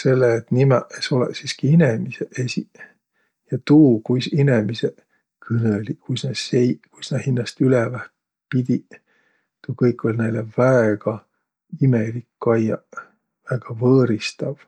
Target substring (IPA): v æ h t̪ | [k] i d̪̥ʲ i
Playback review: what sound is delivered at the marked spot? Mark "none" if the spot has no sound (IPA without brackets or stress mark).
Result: p